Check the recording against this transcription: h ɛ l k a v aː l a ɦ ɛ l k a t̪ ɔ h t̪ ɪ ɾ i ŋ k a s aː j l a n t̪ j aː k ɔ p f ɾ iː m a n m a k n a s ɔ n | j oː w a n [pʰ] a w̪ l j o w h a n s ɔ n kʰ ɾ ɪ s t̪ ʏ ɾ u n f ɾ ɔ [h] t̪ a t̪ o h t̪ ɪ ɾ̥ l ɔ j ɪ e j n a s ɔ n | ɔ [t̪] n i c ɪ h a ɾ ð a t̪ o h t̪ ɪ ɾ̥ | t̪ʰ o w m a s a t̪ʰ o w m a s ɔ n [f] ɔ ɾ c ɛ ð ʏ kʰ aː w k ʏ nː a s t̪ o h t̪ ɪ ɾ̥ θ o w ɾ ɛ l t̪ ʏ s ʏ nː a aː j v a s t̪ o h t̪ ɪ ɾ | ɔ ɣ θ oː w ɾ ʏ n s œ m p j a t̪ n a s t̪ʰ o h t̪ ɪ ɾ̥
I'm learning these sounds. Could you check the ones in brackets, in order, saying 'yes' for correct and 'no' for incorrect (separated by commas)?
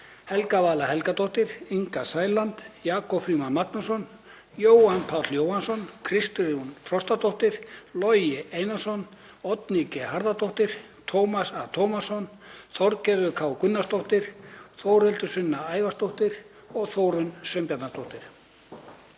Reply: yes, no, yes, no